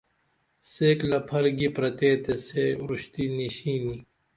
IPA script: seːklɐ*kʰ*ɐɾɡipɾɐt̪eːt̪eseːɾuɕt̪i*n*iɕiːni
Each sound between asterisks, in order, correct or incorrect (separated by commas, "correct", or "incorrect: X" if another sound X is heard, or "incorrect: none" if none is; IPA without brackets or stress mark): incorrect: pʰ, correct